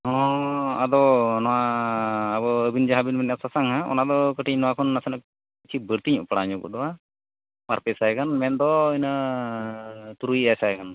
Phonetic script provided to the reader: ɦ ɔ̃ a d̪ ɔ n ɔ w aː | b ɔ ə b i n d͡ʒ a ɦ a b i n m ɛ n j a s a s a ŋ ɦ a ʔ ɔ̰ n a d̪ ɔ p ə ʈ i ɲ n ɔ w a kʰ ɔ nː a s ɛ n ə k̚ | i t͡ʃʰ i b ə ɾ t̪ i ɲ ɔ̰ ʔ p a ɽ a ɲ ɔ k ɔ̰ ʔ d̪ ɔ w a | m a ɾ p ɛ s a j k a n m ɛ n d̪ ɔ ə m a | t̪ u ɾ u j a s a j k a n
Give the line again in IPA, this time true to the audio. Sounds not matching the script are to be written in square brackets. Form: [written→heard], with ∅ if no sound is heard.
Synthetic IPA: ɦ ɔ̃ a d̪ ɔ n ɔ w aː | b ɔ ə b i n d͡ʒ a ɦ a b i n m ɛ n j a s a s a ŋ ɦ a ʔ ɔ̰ n a d̪ ɔ [p→k] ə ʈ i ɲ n ɔ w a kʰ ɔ nː a s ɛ n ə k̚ | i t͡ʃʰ i b ə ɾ t̪ i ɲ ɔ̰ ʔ p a ɽ a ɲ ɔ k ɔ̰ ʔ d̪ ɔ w a | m a ɾ p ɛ s a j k a n m ɛ n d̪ ɔ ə [m→n] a | t̪ u ɾ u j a s a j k a n